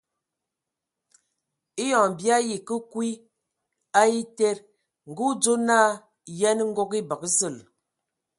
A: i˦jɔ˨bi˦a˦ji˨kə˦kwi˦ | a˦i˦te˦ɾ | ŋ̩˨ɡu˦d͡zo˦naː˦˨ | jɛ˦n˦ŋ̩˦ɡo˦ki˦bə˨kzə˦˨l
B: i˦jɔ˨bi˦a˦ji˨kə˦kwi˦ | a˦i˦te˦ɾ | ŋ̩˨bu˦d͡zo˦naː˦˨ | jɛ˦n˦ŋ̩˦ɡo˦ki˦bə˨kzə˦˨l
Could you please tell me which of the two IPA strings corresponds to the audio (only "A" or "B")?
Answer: A